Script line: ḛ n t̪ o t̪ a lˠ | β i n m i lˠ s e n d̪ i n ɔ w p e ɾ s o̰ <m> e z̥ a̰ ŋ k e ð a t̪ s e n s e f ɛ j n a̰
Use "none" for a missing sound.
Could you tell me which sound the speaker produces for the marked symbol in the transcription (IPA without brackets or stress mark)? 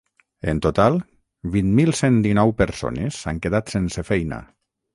n